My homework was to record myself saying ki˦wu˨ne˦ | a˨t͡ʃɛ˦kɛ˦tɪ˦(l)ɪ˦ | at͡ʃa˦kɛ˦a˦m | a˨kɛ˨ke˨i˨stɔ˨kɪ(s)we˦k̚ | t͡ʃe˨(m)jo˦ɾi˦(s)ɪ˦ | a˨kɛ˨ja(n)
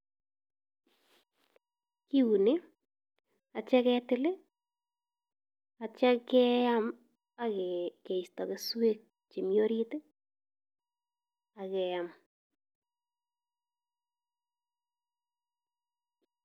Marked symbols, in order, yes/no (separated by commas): yes, yes, yes, no, no